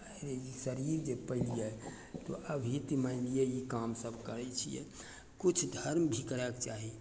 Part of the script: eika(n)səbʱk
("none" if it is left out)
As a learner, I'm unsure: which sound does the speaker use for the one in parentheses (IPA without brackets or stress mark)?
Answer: m